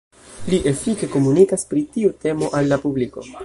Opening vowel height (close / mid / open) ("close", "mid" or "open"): close